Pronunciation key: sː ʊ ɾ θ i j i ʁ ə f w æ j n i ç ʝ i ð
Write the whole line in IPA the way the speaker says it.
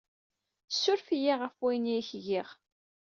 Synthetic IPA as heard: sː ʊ ɾ f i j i ʁ ə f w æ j n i ç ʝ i ʁ